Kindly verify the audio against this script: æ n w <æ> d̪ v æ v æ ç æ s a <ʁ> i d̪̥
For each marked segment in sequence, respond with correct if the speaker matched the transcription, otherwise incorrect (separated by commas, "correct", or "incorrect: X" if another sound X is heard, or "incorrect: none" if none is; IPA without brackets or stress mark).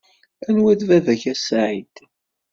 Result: correct, incorrect: ʕ